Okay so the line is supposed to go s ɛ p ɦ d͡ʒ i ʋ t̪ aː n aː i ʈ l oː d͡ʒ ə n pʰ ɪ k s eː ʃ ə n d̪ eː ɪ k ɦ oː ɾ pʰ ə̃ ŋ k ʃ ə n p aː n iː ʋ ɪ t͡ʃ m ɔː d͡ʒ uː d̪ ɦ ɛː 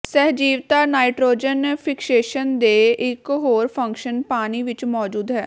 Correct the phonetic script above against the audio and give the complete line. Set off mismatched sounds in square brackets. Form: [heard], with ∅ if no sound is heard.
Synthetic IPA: s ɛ [∅] ɦ d͡ʒ [iː] ʋ t̪ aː n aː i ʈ [ɾ] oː d͡ʒ ə n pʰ ɪ k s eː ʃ ə n d̪ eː ɪ k ɦ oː ɾ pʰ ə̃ ŋ k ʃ ə n p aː n iː ʋ ɪ t͡ʃ m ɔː d͡ʒ uː d̪ ɦ ɛː